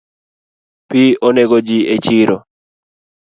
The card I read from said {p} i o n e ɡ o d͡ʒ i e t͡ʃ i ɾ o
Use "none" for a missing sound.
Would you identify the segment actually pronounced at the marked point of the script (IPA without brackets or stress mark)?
p